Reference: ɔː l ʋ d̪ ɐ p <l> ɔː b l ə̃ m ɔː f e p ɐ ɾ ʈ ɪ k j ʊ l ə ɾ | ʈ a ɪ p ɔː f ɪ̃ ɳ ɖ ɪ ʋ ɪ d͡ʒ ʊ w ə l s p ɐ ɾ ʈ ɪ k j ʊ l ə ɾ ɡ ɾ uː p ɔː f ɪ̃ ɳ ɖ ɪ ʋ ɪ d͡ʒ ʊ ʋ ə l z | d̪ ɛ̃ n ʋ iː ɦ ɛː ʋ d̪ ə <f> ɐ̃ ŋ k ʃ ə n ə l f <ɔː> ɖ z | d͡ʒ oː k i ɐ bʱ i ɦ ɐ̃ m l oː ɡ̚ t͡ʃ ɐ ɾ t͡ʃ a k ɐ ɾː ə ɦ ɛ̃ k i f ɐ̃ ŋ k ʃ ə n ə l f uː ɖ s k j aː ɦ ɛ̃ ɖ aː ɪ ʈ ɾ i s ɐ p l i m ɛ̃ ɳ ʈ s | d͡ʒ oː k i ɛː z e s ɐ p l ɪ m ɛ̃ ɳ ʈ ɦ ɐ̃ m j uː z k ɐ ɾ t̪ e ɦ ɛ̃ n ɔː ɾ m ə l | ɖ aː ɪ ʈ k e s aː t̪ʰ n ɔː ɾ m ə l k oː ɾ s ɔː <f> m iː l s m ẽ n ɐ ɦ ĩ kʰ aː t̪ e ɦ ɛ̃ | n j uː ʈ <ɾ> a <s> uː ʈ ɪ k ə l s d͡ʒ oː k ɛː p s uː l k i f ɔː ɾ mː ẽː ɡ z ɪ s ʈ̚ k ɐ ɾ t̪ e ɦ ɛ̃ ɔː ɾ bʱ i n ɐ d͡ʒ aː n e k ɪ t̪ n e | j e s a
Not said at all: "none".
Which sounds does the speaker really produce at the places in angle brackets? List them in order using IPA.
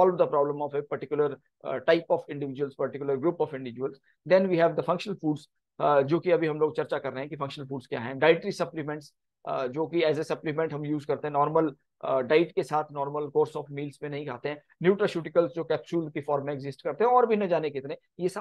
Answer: ɾ, f, uː, f, ɾ, ʃ

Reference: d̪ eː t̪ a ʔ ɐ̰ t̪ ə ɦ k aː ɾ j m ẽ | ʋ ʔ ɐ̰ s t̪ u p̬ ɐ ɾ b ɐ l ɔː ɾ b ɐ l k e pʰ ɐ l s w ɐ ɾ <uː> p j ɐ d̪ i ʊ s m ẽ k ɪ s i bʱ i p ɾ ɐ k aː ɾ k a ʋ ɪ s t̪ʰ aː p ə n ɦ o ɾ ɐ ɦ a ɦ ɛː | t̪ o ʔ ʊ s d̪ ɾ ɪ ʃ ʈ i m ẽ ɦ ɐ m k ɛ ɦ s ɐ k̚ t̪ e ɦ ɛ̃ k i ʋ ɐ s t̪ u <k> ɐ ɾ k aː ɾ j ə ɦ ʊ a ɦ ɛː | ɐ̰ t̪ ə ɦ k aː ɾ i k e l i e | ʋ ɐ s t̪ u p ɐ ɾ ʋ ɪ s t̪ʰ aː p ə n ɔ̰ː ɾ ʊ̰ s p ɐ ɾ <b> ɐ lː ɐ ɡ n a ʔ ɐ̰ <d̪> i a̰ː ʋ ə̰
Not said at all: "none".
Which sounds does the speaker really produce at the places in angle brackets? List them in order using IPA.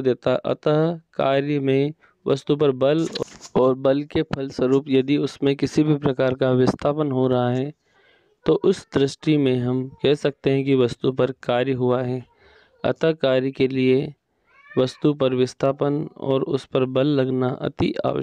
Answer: uː, p, b, t̪

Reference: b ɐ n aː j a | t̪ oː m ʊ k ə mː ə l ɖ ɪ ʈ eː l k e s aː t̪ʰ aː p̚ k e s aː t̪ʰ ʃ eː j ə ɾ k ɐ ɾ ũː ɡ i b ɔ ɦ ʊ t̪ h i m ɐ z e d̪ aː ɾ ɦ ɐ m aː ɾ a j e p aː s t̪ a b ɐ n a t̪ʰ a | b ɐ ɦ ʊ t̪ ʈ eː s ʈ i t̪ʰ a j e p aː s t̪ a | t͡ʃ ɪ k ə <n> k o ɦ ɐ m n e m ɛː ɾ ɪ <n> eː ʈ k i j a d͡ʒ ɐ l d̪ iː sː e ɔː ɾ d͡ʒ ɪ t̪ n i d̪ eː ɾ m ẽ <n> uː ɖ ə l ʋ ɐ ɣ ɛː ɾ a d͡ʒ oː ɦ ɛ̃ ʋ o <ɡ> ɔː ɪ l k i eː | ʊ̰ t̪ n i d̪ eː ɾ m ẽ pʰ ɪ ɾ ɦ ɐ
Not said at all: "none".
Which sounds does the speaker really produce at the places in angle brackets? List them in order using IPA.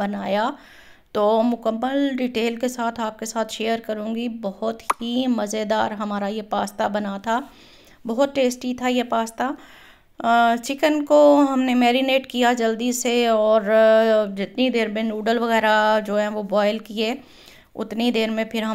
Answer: n, n, n, b

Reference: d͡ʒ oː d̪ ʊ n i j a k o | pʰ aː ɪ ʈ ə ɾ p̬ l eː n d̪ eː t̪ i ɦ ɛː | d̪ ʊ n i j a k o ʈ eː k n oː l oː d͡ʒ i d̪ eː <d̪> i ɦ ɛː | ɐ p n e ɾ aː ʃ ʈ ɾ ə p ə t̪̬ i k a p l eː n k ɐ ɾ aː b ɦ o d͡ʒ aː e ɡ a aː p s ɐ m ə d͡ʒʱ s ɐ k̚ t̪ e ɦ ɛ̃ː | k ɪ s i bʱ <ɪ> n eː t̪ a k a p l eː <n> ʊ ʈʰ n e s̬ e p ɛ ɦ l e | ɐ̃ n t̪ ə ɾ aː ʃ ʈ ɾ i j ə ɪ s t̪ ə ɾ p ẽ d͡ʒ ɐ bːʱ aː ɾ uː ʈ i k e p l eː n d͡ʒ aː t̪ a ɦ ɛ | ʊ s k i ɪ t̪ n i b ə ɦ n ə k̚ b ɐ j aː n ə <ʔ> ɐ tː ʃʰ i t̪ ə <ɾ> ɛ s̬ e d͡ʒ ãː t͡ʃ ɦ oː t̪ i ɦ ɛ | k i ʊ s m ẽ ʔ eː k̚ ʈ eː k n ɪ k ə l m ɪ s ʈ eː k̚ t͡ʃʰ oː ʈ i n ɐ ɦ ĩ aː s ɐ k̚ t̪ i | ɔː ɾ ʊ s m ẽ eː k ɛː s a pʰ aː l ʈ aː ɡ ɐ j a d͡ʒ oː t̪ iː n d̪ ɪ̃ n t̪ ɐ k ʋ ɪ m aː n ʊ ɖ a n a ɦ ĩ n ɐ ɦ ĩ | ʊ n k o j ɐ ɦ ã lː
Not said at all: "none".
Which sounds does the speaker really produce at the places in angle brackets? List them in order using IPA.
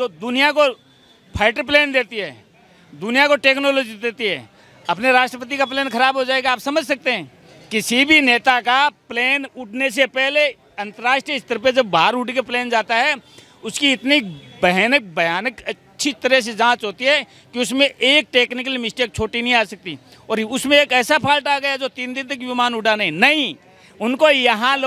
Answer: t̪, i, n, k, ɾ

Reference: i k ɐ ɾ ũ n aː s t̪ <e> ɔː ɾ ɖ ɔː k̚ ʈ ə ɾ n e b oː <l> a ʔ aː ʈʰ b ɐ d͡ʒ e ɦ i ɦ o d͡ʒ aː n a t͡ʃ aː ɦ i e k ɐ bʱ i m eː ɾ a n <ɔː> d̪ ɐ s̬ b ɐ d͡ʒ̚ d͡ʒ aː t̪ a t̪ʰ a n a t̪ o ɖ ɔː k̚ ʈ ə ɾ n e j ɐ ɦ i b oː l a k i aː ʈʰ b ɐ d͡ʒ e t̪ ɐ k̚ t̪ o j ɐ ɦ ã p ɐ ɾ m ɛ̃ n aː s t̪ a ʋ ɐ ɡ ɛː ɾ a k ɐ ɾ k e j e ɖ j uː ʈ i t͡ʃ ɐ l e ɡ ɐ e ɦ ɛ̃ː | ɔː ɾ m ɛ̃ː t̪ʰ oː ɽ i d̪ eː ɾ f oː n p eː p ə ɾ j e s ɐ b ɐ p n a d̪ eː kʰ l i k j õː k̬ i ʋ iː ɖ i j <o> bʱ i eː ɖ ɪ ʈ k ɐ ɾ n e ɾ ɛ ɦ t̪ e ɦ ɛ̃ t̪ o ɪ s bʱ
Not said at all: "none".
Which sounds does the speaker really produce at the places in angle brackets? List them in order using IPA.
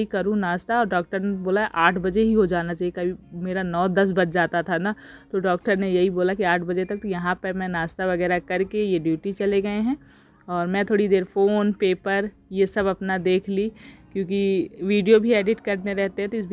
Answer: a, l, ɔː, o

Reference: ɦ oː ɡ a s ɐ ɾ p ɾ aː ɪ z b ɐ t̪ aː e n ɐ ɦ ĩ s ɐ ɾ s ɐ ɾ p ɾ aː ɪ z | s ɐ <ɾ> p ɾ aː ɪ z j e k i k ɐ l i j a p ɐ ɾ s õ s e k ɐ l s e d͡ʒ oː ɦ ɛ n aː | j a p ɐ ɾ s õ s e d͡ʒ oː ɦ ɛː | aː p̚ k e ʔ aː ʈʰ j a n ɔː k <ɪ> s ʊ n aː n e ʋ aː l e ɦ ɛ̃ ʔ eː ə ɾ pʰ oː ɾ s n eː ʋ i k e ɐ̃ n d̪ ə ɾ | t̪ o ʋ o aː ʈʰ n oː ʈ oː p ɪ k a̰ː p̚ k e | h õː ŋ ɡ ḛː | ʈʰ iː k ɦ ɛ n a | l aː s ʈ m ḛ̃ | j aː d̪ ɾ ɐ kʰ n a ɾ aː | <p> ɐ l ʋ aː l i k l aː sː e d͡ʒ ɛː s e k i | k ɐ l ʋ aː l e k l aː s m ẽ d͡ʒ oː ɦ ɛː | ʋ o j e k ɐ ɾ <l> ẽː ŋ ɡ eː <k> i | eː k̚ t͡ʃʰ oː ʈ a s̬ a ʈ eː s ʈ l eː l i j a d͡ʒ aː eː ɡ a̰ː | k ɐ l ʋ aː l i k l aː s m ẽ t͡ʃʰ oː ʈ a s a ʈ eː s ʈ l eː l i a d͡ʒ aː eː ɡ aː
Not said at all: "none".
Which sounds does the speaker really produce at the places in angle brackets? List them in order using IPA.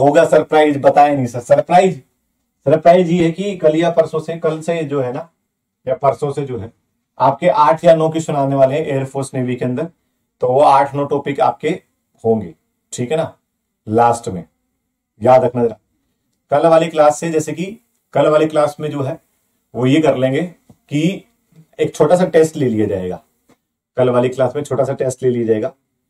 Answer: ɾ, i, k, l, k

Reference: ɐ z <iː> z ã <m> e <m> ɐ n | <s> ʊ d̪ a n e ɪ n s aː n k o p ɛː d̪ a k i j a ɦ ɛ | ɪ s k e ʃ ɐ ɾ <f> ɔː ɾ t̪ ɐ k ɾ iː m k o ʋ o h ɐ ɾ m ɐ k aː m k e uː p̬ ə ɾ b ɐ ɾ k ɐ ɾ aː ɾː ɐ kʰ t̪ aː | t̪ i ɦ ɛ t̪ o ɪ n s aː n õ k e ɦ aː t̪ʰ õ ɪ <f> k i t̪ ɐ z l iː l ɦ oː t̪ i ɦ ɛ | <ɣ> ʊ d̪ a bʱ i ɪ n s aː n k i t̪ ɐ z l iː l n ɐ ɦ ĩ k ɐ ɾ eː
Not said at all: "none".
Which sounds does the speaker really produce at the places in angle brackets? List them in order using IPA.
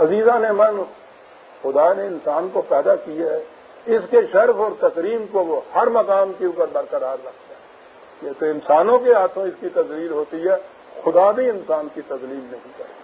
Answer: iː, n, m, x, f, s, x

